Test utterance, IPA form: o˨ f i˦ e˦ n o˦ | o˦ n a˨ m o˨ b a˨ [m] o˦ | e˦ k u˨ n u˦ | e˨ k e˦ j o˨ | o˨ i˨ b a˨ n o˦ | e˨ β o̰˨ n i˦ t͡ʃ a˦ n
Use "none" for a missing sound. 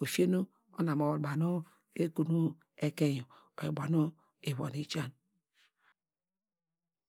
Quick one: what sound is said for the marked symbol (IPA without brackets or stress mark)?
n